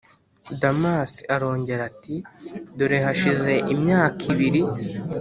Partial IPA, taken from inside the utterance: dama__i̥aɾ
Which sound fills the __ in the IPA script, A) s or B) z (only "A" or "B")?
A